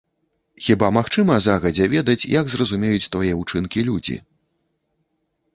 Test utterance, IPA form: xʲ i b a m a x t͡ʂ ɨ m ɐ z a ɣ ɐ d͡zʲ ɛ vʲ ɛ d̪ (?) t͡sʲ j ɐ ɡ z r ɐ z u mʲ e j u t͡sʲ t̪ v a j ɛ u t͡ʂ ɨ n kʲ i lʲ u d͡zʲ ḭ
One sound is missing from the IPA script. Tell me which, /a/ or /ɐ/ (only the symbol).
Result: ɐ